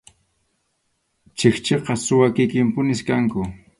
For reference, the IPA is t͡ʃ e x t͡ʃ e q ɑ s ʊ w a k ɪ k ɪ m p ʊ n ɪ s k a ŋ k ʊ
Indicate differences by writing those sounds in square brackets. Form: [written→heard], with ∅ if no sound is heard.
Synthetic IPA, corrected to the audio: t͡ʃ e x t͡ʃ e q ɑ s ʊ w a k ɪ k ɪ m p ʊ n ɪ s k a ŋ k ʊ